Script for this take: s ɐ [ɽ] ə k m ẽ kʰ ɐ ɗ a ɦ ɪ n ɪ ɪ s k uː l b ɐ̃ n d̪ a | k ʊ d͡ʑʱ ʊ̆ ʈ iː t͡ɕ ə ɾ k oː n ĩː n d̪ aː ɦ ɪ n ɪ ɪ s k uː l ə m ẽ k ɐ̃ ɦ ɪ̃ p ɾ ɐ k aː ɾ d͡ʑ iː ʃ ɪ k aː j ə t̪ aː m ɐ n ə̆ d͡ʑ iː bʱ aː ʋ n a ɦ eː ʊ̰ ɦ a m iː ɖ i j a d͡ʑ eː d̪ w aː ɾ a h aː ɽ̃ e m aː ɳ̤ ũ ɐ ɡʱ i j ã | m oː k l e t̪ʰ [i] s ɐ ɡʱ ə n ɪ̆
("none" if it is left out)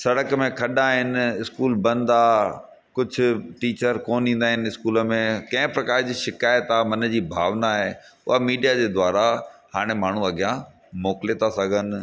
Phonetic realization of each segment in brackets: ɽ, a

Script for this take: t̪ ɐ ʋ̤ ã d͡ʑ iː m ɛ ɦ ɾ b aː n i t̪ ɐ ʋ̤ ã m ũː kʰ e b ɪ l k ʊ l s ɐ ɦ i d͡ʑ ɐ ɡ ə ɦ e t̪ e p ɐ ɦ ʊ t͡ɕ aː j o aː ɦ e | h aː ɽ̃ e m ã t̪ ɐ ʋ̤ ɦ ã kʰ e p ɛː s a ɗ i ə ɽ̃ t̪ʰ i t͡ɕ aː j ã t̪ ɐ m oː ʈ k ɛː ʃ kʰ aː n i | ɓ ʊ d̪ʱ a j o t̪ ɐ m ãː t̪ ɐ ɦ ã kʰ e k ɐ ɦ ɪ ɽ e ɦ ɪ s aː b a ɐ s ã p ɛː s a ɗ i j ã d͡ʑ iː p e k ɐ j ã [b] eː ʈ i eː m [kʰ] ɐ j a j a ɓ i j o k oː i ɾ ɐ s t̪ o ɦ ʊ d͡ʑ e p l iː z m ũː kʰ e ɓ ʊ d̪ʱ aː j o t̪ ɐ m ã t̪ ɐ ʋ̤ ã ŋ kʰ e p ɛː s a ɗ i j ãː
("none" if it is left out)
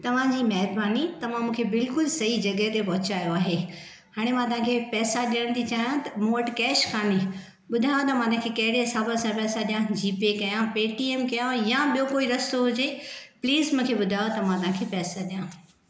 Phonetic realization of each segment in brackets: p, k

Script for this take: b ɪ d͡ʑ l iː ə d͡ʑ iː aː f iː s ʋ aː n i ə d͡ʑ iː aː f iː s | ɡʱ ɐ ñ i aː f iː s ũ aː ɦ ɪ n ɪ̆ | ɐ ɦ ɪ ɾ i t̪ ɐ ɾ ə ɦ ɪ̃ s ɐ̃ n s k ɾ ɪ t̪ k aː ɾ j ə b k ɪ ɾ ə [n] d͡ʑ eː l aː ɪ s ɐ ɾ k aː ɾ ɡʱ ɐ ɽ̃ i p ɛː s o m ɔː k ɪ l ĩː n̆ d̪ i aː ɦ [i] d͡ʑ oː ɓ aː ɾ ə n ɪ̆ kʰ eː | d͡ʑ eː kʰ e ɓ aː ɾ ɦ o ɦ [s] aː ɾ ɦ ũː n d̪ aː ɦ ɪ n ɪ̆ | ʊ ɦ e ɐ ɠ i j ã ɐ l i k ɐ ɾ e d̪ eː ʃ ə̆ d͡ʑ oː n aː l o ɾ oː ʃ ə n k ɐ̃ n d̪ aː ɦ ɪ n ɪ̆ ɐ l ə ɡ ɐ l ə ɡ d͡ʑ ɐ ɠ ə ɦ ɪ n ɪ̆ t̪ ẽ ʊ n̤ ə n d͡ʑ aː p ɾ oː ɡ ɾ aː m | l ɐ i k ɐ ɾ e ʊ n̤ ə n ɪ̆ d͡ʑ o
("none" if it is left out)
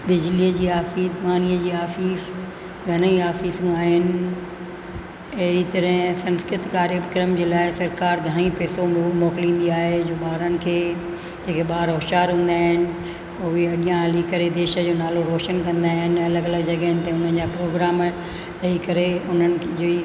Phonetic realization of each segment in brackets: m, e, ʃ

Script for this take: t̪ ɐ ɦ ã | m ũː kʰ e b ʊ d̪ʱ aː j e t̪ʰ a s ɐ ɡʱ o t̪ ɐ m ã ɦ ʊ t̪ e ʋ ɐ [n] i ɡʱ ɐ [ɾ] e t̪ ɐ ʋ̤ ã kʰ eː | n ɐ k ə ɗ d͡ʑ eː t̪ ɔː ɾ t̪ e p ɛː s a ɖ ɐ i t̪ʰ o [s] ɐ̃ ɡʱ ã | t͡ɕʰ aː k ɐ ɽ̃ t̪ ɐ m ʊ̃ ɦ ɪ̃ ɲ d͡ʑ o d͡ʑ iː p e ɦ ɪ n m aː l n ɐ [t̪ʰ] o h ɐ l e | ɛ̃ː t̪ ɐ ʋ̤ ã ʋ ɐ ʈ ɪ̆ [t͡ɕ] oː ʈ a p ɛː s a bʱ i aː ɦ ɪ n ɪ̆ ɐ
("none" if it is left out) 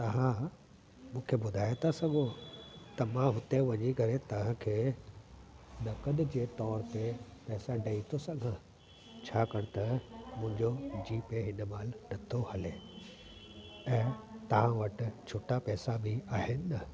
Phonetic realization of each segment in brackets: ɲ, ɾ, s, t̪ʰ, t͡ɕʰ

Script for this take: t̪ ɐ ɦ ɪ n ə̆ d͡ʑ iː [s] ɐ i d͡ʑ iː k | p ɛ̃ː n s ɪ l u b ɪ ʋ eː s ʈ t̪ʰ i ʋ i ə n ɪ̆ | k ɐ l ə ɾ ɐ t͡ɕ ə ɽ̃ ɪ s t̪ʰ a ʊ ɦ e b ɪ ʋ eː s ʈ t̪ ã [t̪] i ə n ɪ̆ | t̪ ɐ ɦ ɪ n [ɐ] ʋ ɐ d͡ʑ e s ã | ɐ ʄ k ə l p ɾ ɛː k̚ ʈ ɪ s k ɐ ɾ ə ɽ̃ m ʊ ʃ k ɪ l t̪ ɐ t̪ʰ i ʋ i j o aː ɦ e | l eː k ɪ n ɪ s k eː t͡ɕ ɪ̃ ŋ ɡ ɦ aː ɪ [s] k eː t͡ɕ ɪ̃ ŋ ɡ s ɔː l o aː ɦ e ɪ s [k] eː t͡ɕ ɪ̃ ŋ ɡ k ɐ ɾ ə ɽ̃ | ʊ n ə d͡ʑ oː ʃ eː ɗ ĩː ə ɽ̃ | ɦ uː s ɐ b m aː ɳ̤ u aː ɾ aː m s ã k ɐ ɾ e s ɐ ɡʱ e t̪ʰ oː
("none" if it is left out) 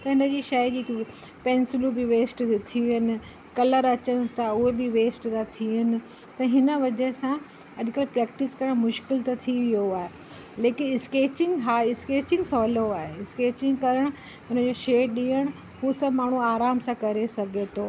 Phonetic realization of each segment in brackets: ʃ, t̪ʰ, ə, s, k

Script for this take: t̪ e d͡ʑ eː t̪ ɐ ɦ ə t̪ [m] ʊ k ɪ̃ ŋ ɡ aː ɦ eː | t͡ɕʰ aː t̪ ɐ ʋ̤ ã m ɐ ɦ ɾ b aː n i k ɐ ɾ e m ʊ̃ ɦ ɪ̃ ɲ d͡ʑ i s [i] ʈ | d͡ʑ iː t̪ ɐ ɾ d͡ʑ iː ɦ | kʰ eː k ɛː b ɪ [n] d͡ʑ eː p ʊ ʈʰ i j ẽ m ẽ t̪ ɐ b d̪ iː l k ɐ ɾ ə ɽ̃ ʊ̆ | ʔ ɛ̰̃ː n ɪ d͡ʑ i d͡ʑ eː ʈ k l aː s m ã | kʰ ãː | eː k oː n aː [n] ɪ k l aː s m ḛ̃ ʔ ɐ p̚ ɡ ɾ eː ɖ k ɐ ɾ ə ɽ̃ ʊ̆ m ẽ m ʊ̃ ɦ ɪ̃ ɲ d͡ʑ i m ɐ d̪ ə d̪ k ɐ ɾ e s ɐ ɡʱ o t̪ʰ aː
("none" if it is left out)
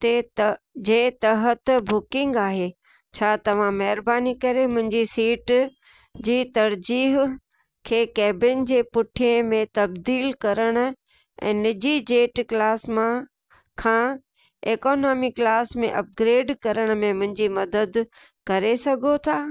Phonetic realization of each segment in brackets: b, iː, n, m

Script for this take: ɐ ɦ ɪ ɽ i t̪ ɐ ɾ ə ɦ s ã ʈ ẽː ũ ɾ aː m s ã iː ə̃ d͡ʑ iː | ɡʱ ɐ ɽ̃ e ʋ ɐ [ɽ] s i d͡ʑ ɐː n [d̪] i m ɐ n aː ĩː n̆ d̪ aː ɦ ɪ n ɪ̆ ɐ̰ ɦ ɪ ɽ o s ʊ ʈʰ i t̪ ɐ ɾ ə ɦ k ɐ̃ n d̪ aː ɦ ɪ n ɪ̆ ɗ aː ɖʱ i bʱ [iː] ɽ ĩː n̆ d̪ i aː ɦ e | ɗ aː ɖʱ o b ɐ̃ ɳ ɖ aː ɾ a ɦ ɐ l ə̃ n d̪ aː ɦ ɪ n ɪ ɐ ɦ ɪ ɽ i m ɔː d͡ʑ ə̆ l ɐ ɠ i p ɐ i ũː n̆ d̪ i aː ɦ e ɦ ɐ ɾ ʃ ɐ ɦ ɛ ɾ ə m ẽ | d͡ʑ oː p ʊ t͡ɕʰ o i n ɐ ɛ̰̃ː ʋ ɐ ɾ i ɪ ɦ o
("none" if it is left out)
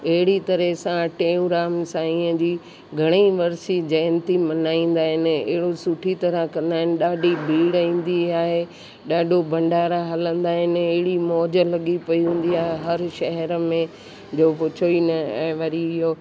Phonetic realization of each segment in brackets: ɾ, t̪, iː

